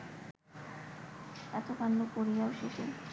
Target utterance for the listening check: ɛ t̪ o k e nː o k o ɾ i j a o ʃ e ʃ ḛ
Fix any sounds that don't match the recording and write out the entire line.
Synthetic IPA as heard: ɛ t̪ o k a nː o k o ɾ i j a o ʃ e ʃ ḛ